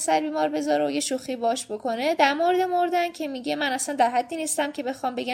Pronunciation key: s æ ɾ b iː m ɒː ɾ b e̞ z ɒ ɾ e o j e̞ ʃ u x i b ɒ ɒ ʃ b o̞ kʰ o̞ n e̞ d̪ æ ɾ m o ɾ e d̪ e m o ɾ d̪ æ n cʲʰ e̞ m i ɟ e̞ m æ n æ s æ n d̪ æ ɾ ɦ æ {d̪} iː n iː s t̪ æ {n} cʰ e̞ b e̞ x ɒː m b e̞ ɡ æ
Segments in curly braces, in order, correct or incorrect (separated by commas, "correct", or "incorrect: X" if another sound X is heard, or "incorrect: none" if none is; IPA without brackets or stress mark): incorrect: d̪ː, incorrect: m